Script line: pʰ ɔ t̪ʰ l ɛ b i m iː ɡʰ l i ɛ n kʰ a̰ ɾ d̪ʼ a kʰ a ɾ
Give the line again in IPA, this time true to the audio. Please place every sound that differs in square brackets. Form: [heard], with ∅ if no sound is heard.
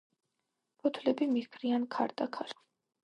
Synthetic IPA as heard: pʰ ɔ t̪ʰ l ɛ b i m [i] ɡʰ [ɾ] i [a] n kʰ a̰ ɾ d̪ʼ a kʰ a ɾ

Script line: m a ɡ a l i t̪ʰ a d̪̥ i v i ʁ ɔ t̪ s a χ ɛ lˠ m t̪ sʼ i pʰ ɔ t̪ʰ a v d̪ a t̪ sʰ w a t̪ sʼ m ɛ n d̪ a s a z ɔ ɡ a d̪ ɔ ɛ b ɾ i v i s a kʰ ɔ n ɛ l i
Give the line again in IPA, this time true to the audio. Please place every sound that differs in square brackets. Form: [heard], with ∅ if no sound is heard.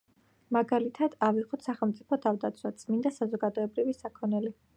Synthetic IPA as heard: m a ɡ a l i t̪ʰ a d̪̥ [a] v i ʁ ɔ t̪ s a χ ɛ lˠ m t̪ sʼ i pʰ ɔ t̪ʰ a v d̪ a t̪ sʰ w a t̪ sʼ m [i] n d̪ a s a z ɔ ɡ a d̪ ɔ ɛ b ɾ i v i s a kʰ ɔ n ɛ l i

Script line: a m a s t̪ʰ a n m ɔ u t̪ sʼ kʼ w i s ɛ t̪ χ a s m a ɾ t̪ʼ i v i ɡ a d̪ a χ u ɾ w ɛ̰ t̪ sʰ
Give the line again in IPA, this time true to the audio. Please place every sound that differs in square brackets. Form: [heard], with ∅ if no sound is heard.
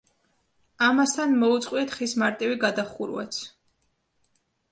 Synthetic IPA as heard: a m a s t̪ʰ a n m ɔ u t̪ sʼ [qʼ] w i [∅] ɛ t̪ χ [i] s m a ɾ t̪ʼ i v i ɡ a d̪ a χ u ɾ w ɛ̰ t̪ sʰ

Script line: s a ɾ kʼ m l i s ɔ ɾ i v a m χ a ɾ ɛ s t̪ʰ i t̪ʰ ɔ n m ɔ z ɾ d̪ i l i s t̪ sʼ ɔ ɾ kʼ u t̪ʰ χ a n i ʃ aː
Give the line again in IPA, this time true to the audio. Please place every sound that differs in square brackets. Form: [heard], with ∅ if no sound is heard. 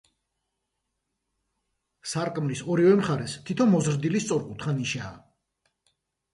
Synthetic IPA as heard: s a ɾ kʼ m l i s ɔ ɾ i v [ɛ] m χ a ɾ ɛ s t̪ʰ i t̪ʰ ɔ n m ɔ z ɾ d̪ i l i s t̪ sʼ ɔ ɾ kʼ u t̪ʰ χ a n i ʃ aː

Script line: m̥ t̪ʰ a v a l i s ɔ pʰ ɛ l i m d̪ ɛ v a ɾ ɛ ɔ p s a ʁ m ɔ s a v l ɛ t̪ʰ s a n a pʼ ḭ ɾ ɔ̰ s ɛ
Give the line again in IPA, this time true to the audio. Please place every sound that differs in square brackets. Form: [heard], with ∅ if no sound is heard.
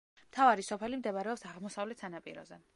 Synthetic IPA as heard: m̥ t̪ʰ a v a [ɾ] i s ɔ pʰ ɛ l i m d̪ ɛ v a ɾ ɛ ɔ p s a ʁ m ɔ s a v l ɛ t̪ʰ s a n a pʼ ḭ ɾ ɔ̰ [z] ɛ

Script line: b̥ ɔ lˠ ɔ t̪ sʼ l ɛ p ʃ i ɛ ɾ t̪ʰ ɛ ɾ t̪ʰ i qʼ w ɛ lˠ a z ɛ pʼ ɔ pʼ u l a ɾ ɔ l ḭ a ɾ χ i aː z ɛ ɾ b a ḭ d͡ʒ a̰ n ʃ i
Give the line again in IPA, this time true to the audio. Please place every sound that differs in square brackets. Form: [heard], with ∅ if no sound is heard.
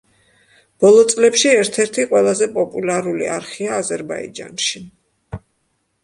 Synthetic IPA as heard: b̥ ɔ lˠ ɔ t̪ sʼ l ɛ p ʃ i ɛ ɾ t̪ʰ ɛ ɾ t̪ʰ i qʼ w ɛ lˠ a z ɛ pʼ ɔ pʼ u l a ɾ [u] l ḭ a ɾ χ i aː z ɛ ɾ b a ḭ d͡ʒ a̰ n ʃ i

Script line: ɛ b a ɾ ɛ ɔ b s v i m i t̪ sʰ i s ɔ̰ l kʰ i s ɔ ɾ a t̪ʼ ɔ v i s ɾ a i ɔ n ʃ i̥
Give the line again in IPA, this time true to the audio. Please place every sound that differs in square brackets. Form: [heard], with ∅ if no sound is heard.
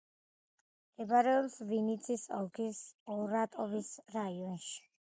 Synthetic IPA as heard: ɛ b a ɾ ɛ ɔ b s v i [n] i t̪ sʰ i s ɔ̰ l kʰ i s ɔ ɾ a t̪ʼ ɔ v i s ɾ a i ɔ n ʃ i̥

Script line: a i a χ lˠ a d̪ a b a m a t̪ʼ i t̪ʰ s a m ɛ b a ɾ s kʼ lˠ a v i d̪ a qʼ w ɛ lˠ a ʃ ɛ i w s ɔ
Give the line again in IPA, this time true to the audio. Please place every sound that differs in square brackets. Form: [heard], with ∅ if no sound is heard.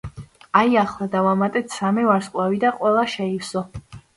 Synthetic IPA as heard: a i a χ lˠ a d̪ a [v] a m a t̪ʼ [ɛ] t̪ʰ s a m ɛ [v] a ɾ s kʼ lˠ a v i d̪ a qʼ w ɛ lˠ a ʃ ɛ i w s ɔ

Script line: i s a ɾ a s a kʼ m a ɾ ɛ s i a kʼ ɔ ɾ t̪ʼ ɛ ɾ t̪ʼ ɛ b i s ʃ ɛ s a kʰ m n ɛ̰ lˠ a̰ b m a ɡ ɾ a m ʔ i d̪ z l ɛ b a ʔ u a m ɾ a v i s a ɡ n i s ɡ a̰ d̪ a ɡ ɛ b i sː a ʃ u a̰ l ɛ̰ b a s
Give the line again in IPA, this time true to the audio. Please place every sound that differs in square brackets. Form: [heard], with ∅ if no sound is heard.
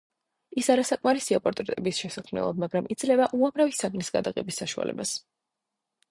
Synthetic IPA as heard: i s a ɾ a s a kʼ m a ɾ [i] s i a [pʼ] ɔ ɾ t̪ʼ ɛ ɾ t̪ʼ ɛ b i s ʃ ɛ s a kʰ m n ɛ̰ lˠ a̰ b m a ɡ ɾ a m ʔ i d̪ z l ɛ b a ʔ u a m ɾ a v i s a ɡ n i s ɡ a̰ d̪ a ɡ ɛ b i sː a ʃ u a̰ l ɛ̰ b a s

